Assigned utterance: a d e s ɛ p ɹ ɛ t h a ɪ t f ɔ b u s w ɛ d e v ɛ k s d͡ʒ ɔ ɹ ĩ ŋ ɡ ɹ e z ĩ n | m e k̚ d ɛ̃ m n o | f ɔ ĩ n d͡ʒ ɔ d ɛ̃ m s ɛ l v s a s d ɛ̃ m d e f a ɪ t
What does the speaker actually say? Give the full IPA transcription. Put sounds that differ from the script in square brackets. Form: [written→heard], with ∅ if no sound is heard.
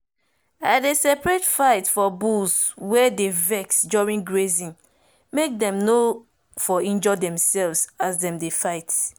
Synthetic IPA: a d e s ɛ p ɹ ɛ t [h→f] a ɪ t f ɔ b u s w ɛ d e v ɛ k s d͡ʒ ɔ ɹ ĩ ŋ ɡ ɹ e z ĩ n | m e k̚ d ɛ̃ m n o | f ɔ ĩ n d͡ʒ ɔ d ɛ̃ m s ɛ l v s a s d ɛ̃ m d e f a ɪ t

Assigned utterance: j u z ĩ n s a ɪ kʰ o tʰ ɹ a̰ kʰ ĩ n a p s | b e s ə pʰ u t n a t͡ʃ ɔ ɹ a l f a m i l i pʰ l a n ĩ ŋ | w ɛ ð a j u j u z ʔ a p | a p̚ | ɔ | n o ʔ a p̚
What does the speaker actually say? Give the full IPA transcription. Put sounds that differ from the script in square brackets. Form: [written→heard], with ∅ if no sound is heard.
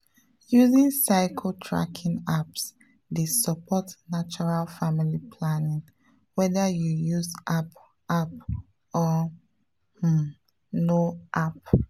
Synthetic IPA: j u z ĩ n s a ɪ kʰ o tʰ ɹ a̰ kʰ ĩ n a p s | [b→d] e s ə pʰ [u→ɔ] t n a t͡ʃ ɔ ɹ a l f a m i l i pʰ l a n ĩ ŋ | w ɛ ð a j u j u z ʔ a p | a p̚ | ɔ | n o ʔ a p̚

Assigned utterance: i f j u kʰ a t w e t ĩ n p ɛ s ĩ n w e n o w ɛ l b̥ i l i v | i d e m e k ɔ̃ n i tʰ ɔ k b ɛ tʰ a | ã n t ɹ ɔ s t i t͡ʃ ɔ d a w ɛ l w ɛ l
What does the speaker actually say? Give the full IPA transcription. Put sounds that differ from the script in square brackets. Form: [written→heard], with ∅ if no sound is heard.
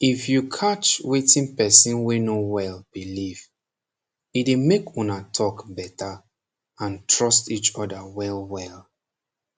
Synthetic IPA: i f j u kʰ a [t→t͡ʃ] w e t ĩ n p ɛ s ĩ n w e n o w ɛ l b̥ i l i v | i d e m e k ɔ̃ n [i→a] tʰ ɔ k b ɛ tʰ a | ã n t ɹ ɔ s t i t͡ʃ ɔ d a w ɛ l w ɛ l

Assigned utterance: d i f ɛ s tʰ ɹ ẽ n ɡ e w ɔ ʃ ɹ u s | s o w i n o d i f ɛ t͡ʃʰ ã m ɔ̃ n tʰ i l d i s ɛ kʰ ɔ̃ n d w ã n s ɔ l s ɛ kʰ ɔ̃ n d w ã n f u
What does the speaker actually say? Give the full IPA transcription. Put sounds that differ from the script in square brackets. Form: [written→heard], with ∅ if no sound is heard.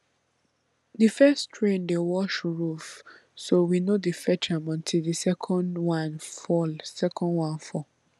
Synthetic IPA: d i f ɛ s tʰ ɹ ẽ n [ɡ→d] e w ɔ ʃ ɹ u [s→f] | s o w i n o d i f ɛ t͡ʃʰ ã m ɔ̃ n tʰ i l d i s ɛ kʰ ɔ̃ n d w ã n [s→f] ɔ l s ɛ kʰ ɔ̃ n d w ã n f [u→ɔ]

